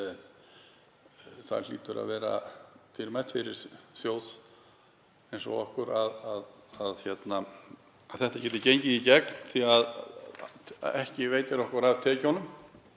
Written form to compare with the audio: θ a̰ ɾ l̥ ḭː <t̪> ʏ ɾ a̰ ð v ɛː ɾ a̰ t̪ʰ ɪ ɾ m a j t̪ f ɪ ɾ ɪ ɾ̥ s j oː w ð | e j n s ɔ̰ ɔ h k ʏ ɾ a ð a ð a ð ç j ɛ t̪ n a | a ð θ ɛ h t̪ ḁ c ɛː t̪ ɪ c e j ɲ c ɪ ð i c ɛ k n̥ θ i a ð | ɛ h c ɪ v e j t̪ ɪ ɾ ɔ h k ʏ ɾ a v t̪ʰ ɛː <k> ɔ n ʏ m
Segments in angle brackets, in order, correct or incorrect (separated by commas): correct, incorrect